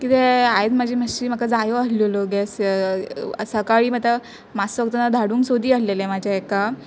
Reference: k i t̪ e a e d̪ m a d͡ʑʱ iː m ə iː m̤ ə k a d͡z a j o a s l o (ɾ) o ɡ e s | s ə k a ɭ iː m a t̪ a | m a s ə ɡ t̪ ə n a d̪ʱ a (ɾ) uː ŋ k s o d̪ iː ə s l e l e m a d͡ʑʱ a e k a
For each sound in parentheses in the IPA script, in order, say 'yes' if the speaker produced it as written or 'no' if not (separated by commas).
no, no